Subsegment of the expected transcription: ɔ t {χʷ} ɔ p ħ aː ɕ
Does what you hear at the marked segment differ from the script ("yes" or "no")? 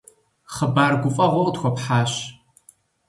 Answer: yes